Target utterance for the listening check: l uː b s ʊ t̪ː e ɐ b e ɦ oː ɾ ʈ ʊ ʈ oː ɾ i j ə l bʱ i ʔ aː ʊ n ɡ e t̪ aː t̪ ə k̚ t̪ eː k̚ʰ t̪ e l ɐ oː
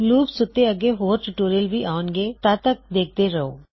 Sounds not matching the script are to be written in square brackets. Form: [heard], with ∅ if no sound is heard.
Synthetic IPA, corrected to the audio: l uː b s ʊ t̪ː e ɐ [ɡ] e ɦ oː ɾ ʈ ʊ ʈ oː ɾ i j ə l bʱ i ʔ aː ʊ n ɡ e t̪ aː t̪ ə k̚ [d̪] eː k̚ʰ t̪ e [ɾ] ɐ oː